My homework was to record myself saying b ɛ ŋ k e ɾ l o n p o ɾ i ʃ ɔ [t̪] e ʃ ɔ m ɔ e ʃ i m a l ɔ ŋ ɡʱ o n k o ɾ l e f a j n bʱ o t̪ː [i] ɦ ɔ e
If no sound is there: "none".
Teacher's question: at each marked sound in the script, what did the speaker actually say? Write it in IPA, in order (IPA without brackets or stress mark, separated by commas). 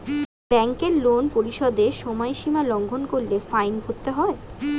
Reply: d̪, e